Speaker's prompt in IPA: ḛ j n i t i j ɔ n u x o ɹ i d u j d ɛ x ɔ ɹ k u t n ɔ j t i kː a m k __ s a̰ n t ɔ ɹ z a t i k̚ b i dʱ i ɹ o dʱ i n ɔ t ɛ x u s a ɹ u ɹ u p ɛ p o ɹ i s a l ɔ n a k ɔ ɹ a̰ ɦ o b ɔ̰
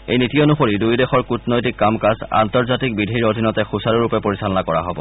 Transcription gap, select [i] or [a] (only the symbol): a